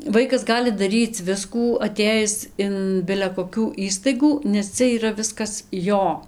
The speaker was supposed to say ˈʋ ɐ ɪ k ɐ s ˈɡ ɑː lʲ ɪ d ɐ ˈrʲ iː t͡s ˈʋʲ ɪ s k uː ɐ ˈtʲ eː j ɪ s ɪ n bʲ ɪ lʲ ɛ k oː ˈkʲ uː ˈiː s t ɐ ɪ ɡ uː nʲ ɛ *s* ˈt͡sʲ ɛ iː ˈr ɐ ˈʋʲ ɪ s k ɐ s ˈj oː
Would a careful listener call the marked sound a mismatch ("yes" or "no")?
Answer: no